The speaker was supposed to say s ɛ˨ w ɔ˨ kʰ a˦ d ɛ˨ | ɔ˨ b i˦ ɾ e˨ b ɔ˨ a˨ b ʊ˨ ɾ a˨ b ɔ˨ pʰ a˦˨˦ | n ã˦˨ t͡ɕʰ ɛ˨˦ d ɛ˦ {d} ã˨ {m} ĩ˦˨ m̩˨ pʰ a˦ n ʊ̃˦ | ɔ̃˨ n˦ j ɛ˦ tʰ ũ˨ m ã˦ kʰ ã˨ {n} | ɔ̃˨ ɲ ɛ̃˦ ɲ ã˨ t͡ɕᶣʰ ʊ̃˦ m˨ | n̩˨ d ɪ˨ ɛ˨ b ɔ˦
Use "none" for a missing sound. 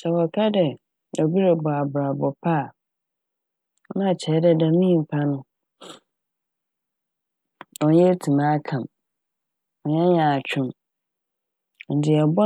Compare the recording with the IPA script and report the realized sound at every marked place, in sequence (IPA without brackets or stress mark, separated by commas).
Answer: d, m, m